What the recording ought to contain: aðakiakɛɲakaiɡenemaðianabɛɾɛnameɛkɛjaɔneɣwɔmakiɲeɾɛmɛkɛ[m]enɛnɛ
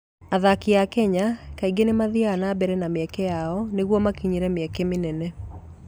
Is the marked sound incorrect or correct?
correct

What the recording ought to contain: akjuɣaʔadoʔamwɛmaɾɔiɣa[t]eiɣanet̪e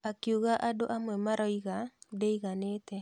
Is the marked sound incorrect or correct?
incorrect: d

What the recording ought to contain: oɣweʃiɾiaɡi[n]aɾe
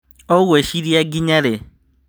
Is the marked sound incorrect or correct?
incorrect: ɲ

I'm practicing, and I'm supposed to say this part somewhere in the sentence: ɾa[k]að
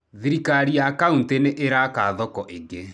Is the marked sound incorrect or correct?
correct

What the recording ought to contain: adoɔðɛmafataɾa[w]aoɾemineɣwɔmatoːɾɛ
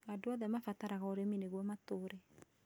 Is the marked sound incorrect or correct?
incorrect: ɣ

